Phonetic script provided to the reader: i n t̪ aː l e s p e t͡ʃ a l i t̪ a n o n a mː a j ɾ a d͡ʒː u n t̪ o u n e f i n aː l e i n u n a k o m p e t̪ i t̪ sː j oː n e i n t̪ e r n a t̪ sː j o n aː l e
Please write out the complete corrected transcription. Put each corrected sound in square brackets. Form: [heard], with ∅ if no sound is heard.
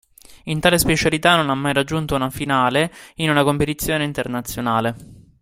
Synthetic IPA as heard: i n t̪ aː l e s p e t͡ʃ a l i t̪ a n o n a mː a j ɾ a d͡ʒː u n t̪ o u n [a] f i n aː l e i n u n a k o m p e t̪ i t̪ sː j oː n e i n t̪ e r n a t̪ sː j o n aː l e